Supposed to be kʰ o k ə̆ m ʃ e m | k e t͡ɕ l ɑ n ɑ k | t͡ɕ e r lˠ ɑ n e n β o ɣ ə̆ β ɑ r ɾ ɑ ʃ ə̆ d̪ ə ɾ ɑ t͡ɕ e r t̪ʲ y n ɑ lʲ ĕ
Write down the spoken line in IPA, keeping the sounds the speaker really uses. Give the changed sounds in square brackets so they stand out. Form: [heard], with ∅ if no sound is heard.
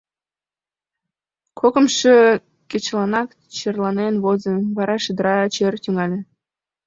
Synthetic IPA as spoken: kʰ o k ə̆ m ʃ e [∅] | k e t͡ɕ l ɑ n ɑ k | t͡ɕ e r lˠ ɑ n e n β o [z] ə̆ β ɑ [∅] ɾ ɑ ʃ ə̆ d̪ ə ɾ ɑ t͡ɕ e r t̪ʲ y [ŋ] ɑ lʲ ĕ